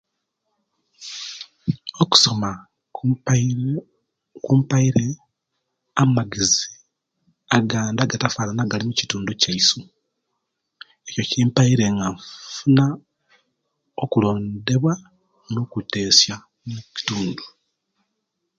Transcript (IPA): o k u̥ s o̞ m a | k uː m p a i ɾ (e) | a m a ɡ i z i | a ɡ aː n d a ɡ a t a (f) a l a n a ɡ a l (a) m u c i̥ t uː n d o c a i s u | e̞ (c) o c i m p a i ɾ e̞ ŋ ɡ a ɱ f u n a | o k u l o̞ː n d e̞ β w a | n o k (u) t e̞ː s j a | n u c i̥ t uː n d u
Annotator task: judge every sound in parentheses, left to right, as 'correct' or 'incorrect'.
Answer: correct, correct, incorrect, correct, correct

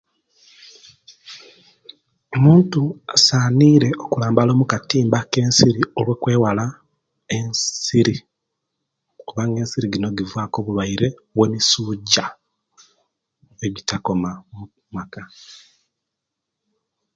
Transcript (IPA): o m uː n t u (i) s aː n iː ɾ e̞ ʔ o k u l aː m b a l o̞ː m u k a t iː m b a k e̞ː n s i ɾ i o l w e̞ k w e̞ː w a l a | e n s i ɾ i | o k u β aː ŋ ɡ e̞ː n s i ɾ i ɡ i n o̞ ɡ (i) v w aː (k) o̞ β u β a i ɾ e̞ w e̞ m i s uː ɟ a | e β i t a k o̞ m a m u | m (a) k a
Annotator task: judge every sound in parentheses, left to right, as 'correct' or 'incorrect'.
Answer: incorrect, correct, correct, correct

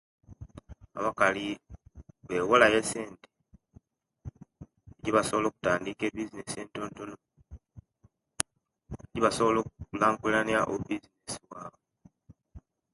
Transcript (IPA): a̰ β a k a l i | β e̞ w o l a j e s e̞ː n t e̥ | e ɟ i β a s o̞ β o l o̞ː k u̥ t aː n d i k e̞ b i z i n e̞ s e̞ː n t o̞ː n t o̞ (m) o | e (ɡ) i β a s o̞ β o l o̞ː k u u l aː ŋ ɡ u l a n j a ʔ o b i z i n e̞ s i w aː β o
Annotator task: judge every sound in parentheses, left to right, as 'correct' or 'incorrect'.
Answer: incorrect, incorrect

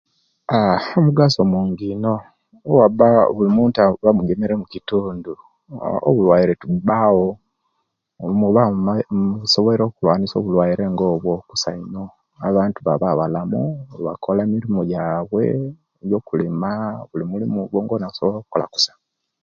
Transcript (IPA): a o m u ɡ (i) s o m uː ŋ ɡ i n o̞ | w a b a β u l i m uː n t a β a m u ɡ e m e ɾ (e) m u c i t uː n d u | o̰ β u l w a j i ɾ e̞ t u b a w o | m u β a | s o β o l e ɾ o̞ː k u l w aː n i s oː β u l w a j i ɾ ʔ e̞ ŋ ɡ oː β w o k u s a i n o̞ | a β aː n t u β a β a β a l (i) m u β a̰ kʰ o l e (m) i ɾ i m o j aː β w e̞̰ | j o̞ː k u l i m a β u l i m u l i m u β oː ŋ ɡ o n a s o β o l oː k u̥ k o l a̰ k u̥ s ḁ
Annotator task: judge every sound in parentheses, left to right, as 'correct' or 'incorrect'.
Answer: incorrect, correct, incorrect, correct

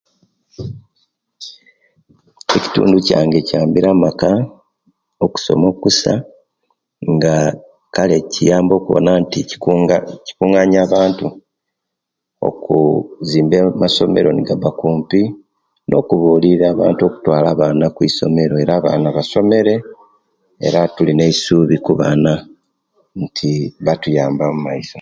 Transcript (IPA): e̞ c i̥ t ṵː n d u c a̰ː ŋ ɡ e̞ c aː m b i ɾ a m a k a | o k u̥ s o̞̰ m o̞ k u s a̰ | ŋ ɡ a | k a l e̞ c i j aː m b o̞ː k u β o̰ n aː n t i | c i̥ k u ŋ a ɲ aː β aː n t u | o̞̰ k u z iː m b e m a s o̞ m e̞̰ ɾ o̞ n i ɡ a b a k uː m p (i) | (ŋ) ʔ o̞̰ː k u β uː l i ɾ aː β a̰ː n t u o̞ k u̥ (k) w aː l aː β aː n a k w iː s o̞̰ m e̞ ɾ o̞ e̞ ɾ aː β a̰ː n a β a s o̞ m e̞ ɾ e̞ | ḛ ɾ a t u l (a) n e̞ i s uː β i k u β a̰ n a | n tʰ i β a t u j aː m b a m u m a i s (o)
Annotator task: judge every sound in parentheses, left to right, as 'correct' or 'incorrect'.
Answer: correct, incorrect, incorrect, incorrect, correct

